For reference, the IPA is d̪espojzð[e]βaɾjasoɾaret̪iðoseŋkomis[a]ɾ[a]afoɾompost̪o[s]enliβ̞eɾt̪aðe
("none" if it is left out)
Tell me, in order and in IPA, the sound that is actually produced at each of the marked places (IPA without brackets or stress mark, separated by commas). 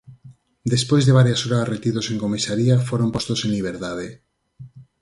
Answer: e, a, i, s